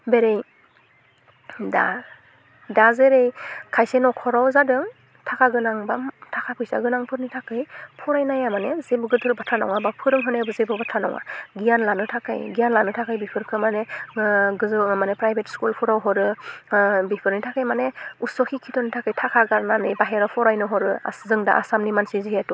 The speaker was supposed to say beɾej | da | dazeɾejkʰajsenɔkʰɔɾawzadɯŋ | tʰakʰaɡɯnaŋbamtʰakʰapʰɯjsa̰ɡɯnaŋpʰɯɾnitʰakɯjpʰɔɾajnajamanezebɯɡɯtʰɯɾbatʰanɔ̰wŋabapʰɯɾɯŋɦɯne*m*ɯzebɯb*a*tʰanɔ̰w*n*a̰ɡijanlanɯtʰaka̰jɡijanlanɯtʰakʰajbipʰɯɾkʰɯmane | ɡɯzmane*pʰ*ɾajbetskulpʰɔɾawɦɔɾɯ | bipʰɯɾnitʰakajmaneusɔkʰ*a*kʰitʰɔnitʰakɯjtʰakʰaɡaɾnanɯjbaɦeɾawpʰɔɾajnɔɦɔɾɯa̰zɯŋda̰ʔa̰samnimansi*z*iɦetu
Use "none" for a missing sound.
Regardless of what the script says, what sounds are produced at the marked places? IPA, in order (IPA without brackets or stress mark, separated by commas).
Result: b, a, ŋ, p, i, z